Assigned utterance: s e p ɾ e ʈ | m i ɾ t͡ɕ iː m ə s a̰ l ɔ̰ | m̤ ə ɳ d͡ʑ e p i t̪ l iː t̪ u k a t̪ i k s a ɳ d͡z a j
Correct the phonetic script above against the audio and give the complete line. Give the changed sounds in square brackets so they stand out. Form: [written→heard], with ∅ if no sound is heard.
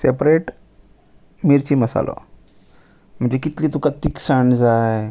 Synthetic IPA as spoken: s e p ɾ e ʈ | m i ɾ t͡ɕ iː m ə s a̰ l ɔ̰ | m̤ ə ɳ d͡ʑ e [p→k] i t̪ l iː t̪ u k a t̪ i k s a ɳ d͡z a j